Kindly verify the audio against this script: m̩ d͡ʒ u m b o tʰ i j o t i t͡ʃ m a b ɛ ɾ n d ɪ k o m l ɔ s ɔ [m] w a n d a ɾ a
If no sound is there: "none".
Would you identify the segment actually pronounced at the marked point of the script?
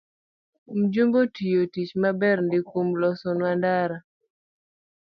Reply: n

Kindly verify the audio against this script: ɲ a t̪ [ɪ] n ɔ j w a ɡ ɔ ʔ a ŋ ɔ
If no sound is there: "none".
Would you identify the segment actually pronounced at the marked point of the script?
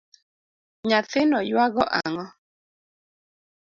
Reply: ɪ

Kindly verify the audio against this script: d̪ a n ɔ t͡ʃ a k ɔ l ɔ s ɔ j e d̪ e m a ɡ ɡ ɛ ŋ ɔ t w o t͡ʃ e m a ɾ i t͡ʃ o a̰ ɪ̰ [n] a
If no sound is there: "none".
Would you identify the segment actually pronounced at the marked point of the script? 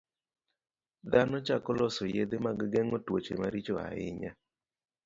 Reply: ɲ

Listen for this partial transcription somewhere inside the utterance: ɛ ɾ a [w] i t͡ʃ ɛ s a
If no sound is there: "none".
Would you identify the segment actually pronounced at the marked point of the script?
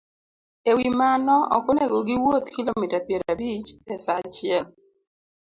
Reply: b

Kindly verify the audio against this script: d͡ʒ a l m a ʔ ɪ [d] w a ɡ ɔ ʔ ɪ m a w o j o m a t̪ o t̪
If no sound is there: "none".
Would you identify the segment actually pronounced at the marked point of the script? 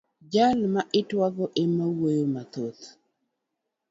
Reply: t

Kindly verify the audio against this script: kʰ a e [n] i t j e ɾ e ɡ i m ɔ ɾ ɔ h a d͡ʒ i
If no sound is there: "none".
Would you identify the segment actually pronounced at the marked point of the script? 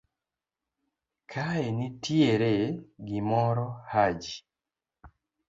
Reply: n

